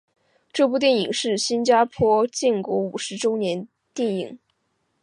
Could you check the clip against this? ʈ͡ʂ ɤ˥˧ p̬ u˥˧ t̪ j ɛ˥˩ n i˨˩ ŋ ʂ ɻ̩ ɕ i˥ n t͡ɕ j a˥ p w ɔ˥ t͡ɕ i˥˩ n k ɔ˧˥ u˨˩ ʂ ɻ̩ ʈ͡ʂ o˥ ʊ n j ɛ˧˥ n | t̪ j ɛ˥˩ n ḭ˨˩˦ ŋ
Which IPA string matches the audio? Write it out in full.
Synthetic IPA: ʈ͡ʂ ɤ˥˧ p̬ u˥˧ t̪ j ɛ˥˩ n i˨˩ ŋ ʂ ɻ̩ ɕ i˥ n t͡ɕ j a˥ pʰ w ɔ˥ t͡ɕ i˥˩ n k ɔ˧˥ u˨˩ ʂ ɻ̩ ʈ͡ʂ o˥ ʊ n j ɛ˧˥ n | t̪ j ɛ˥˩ n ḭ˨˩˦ ŋ

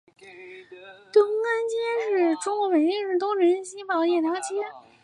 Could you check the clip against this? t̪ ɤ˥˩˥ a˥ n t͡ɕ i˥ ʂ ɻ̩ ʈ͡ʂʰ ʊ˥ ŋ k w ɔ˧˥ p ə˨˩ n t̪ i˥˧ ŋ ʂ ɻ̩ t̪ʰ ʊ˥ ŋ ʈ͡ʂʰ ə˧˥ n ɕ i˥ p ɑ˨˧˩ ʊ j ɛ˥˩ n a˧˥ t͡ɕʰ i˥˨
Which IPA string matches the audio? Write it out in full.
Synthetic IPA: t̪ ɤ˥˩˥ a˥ n t͡ɕ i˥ ʂ ɻ̩ ʈ͡ʂ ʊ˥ ŋ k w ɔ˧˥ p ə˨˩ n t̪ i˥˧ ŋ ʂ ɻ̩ t̪ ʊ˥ ŋ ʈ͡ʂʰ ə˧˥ n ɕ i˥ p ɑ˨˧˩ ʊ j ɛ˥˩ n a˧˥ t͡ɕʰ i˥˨

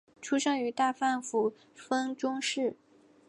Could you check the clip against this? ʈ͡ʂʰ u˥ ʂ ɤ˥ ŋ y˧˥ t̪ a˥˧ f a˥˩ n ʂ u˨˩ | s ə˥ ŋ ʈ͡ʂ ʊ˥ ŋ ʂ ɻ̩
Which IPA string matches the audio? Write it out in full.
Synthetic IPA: ʈ͡ʂʰ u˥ ʂ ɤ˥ ŋ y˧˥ t̪ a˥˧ f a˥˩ n f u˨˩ | f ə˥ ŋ ʈ͡ʂ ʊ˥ ŋ ʂ ɻ̩

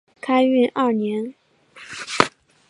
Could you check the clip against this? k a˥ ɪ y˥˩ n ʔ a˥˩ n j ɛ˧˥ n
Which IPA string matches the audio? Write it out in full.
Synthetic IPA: kʰ a˥ ɪ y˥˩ n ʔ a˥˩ n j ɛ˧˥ n

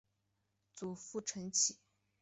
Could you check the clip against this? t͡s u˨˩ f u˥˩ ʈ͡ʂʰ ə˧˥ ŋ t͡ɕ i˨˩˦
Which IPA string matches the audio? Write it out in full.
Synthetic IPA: t͡s u˨˩ f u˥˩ ʈ͡ʂʰ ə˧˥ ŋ t͡ɕʰ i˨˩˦

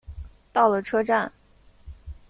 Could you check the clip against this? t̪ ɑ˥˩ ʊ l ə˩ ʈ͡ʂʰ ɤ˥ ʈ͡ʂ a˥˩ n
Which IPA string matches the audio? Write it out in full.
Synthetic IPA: t̪ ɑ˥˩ ʊ l ə˩ ʈ͡ʂʰ ɤ˥ ʈ͡ʂ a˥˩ n

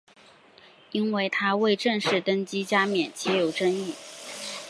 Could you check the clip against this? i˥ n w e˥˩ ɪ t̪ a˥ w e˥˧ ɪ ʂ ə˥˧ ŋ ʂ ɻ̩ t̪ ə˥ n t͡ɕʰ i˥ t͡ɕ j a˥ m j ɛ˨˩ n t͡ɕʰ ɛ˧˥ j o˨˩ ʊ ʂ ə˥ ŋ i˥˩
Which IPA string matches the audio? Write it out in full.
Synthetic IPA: i˥ n w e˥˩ ɪ t̪ʰ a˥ w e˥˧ ɪ ʈ͡ʂ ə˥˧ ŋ ʂ ɻ̩ t̪ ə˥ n t͡ɕ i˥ t͡ɕ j a˥ m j ɛ˨˩ n t͡ɕʰ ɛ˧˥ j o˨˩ ʊ ʈ͡ʂ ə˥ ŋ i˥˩

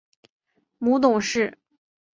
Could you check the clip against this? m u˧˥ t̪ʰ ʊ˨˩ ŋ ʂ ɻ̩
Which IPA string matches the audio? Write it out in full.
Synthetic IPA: m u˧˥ t̪ ʊ˨˩ ŋ ʂ ɻ̩

